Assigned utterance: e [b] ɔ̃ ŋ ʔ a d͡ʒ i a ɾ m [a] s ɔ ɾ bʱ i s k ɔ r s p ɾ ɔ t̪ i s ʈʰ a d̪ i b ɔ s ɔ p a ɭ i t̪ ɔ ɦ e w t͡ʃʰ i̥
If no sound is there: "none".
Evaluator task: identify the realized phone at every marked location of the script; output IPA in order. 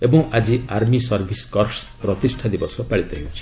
b, i

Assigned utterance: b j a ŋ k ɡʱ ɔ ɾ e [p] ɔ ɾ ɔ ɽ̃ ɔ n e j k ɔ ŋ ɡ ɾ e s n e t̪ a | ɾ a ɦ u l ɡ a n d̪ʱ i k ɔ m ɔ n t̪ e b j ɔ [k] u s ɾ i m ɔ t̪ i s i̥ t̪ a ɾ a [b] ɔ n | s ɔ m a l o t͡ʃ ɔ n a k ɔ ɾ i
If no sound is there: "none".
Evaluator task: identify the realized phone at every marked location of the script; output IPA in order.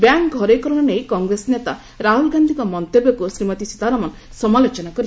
k, k, m

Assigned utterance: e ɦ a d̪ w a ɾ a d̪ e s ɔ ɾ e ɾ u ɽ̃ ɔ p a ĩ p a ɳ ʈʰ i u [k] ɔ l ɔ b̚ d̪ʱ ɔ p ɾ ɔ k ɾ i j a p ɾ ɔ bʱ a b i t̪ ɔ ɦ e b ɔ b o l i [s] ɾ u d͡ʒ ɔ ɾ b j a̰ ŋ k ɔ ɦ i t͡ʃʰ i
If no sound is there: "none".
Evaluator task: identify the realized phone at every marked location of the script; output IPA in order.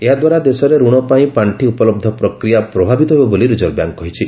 p, none

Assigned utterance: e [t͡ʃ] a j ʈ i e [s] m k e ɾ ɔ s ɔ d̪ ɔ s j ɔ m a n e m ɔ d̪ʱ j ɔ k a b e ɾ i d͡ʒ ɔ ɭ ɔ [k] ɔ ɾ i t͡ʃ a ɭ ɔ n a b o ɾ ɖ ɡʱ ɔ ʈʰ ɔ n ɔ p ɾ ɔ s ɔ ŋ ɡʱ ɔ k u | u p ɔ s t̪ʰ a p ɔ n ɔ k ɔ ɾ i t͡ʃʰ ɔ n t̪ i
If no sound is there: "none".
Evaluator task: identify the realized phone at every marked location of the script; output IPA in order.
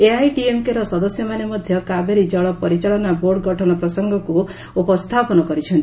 none, none, p

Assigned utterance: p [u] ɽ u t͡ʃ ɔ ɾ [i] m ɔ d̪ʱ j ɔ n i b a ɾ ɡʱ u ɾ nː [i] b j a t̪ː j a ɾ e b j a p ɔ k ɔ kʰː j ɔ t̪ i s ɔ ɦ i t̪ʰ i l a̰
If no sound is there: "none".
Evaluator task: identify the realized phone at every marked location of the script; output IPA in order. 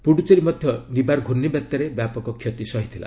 u, i, i

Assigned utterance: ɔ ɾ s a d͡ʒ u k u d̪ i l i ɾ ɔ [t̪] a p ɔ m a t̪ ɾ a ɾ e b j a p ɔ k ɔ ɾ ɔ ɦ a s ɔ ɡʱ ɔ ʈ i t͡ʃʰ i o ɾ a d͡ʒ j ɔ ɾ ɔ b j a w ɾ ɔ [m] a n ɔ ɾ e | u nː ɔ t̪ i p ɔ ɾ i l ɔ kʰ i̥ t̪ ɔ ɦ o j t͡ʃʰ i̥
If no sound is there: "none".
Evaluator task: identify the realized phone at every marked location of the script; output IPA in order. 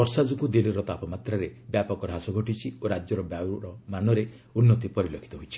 t̪, m

